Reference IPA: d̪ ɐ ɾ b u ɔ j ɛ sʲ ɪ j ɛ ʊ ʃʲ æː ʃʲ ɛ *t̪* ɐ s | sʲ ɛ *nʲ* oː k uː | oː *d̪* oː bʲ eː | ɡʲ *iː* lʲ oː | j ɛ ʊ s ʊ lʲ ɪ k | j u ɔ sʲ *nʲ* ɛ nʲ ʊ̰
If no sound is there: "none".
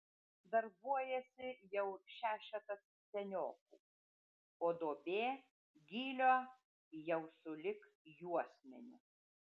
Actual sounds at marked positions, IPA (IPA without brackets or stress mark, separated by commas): t̪, nʲ, d̪, iː, mʲ